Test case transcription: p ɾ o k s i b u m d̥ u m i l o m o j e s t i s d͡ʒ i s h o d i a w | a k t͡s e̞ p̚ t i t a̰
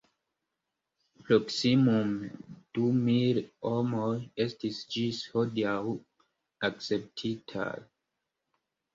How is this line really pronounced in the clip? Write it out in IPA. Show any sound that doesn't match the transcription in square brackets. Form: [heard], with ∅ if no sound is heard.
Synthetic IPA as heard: p ɾ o k s i [m] u m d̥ u m i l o m o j e s t i s d͡ʒ i s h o d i a w | a k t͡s e̞ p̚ [tʰ] i [tʰ] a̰